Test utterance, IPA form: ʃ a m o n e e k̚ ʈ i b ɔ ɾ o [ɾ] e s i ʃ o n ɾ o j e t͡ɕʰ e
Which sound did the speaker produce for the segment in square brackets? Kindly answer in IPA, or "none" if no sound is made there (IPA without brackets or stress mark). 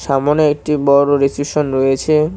ɾ